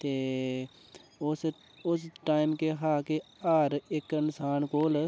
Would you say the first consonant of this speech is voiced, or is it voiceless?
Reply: voiceless